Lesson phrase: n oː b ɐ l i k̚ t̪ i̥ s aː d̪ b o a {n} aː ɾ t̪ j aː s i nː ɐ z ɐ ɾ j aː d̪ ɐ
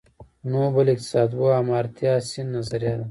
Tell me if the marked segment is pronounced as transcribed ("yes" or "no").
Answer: no